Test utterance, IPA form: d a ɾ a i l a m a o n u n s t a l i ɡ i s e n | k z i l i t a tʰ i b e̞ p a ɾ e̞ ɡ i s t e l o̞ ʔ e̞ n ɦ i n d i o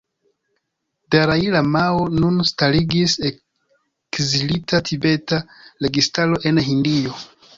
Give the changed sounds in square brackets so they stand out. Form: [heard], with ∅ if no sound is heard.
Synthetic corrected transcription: d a ɾ a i l a m a o n u n s t a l i ɡ i s e [∅] | k z i l i t a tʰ i b e̞ [t] a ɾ e̞ ɡ i s t [a] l o̞ ʔ e̞ n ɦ i n d i o